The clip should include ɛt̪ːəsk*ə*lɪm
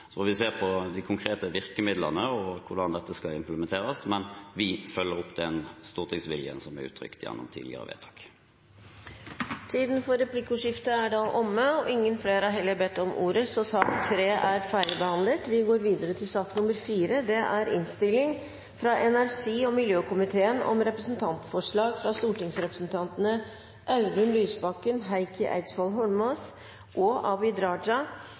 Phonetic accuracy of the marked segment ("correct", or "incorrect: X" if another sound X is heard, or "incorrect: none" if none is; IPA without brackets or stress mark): incorrect: ɑ